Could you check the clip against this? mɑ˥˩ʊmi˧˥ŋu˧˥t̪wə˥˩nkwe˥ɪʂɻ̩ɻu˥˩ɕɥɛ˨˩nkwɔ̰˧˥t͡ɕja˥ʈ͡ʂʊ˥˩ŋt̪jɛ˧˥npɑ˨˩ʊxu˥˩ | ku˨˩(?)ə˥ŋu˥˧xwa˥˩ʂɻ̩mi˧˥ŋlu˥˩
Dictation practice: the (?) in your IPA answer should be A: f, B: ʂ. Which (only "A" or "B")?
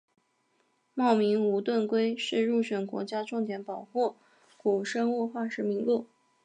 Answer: B